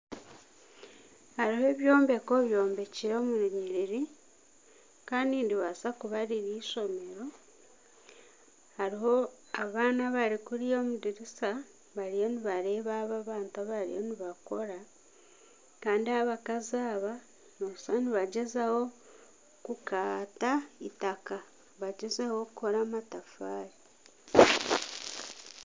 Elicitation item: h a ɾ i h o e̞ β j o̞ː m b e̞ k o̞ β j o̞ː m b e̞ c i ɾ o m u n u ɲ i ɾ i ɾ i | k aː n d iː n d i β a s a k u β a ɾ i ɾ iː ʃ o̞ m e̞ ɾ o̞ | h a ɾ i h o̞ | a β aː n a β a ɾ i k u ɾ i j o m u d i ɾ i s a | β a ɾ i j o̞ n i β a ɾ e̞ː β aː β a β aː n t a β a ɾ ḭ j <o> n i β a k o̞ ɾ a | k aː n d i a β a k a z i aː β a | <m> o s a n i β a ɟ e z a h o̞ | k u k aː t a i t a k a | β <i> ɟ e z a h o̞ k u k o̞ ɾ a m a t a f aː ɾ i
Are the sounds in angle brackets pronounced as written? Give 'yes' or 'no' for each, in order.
yes, no, no

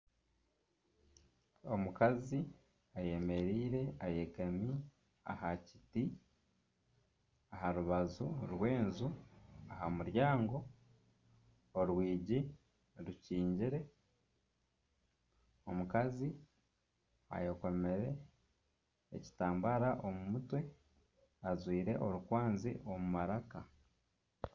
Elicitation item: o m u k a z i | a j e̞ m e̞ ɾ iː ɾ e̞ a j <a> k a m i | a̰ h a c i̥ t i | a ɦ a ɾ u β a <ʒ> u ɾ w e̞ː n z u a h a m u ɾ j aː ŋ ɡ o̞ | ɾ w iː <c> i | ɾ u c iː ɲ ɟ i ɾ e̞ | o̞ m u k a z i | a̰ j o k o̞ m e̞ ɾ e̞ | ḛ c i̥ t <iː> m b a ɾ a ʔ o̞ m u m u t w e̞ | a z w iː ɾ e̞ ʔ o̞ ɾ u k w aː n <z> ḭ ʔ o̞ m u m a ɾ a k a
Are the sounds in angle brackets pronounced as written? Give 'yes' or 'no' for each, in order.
no, no, no, no, yes

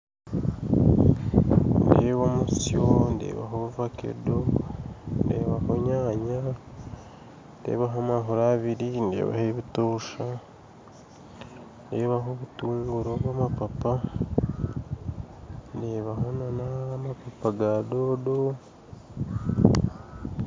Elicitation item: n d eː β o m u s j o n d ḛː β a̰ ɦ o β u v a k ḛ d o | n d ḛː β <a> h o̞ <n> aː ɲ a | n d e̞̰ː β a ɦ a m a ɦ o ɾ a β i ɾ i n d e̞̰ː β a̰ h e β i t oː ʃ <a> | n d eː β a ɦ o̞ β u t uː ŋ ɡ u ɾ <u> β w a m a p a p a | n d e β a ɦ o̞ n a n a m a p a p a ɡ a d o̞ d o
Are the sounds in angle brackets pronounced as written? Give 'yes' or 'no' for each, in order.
yes, no, yes, no

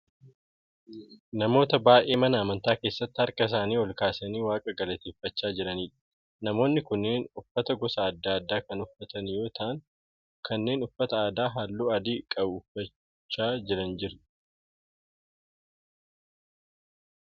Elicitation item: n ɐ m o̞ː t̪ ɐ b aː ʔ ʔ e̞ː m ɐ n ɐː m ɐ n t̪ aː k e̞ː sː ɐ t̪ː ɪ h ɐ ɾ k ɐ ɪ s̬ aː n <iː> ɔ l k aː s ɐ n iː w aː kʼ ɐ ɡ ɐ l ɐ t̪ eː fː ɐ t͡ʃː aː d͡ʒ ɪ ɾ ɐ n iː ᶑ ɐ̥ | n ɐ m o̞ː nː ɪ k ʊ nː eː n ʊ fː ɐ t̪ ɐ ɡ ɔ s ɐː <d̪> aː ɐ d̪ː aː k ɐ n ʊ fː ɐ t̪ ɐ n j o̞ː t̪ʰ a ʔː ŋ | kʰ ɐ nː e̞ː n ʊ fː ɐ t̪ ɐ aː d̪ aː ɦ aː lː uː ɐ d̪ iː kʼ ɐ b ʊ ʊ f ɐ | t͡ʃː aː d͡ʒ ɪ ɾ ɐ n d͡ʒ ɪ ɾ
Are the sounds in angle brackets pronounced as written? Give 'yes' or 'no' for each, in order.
yes, no

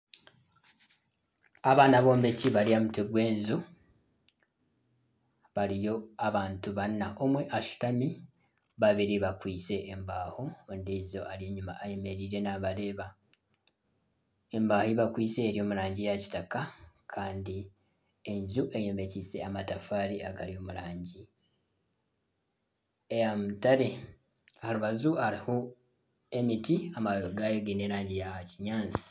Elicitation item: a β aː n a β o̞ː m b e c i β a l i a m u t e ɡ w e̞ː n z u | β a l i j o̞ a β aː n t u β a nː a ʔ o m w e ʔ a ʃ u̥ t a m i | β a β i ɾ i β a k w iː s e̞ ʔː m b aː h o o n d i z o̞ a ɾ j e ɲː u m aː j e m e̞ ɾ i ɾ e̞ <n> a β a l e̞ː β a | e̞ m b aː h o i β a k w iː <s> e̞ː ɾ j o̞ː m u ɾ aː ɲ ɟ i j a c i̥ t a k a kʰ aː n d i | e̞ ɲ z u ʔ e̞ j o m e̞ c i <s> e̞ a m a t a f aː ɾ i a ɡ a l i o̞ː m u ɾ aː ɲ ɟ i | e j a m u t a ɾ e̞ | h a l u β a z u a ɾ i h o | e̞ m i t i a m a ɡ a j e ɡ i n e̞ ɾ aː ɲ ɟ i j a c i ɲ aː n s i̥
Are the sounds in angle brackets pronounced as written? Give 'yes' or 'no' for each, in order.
yes, yes, yes

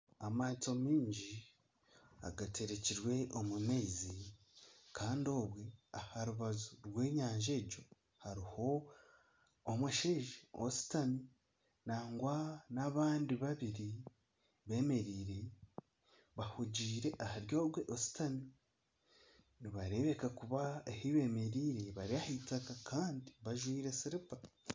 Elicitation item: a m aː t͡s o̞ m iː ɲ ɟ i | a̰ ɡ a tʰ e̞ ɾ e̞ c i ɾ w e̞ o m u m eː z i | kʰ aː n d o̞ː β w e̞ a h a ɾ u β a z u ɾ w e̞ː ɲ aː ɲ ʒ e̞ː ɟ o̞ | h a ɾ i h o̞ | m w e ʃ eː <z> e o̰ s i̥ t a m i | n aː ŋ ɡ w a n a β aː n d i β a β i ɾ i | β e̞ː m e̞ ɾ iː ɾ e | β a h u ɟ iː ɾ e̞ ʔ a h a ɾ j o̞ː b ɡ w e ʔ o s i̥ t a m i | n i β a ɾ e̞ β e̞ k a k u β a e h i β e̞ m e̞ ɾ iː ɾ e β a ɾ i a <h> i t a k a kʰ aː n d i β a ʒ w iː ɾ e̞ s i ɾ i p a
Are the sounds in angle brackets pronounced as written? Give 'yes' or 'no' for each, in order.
no, yes

